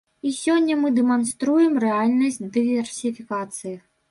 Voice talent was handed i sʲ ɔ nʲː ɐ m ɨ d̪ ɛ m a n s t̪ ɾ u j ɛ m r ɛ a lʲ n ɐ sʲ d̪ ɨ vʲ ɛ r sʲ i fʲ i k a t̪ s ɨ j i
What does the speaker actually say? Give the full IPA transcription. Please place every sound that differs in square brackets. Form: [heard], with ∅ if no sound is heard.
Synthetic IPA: i sʲ ɔ nʲː ɐ m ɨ d̪ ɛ m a n s t̪ ɾ u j ɛ m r ɛ a lʲ n ɐ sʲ d̪ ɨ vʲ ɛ r sʲ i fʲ i k a t̪ s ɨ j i